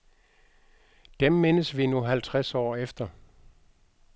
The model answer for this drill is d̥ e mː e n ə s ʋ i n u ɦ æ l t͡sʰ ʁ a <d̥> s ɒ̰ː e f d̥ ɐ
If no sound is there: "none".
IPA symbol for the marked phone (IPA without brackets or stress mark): none